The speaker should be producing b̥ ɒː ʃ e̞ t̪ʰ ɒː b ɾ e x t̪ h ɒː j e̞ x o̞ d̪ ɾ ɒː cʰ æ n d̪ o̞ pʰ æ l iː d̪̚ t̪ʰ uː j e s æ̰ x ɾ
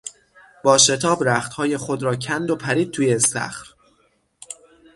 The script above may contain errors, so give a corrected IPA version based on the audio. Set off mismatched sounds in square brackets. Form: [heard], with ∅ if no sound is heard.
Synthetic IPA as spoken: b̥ ɒː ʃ e̞ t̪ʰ ɒː b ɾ [æ] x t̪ h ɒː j e̞ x o̞ d̪ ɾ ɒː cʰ æ n d̪ o̞ pʰ æ [ɾ] iː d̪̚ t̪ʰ uː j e s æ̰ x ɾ